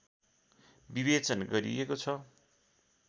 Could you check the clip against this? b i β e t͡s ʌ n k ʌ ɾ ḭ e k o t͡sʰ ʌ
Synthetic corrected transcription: b i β e t͡s ʌ n ɡ ʌ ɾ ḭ e k o t͡sʰ ʌ